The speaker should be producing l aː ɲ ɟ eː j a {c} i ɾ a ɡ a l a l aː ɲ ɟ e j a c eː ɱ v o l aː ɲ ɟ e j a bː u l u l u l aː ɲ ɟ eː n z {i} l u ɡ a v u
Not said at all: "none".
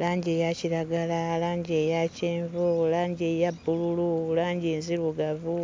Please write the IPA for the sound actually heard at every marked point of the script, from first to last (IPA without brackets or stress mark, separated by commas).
c, i